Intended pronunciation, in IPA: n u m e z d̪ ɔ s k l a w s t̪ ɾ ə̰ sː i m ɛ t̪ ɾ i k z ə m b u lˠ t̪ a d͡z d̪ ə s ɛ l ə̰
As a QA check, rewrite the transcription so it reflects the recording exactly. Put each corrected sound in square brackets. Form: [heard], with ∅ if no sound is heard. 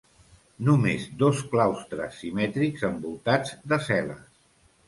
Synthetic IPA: n u m e z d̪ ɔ s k l a w s t̪ ɾ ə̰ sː i m ɛ t̪ ɾ i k z ə m b u lˠ t̪ a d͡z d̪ ə s ɛ l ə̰